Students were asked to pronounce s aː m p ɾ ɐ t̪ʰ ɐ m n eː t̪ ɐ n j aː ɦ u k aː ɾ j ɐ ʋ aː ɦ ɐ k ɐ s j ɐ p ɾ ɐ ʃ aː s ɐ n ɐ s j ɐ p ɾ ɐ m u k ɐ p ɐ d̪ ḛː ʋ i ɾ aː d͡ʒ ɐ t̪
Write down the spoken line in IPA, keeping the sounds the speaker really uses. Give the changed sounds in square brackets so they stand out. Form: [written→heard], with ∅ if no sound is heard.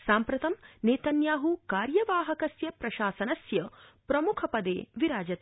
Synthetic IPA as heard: s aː m p ɾ ɐ [t̪ʰ→t̪] ɐ m n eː t̪ ɐ n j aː ɦ u k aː ɾ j ɐ ʋ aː ɦ ɐ k ɐ s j ɐ p ɾ ɐ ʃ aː s ɐ n ɐ s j ɐ p ɾ ɐ m u [k→kʰ] ɐ p ɐ d̪ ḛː ʋ i ɾ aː d͡ʒ ɐ t̪